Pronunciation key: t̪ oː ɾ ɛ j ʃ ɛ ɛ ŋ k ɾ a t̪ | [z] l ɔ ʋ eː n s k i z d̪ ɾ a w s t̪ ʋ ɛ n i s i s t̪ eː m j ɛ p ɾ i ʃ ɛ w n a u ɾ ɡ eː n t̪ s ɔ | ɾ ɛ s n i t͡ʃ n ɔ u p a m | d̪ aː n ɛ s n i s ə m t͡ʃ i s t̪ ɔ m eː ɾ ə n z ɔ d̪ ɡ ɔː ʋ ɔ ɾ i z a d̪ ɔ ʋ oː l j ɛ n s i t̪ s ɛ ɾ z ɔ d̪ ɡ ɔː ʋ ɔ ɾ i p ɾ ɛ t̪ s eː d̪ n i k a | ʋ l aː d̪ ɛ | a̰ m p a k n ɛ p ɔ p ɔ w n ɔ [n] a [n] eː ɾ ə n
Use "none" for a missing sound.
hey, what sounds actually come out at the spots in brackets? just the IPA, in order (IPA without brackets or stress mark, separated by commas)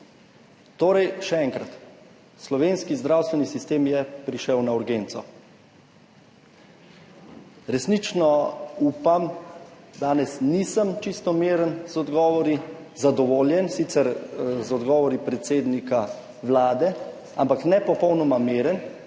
s, m, m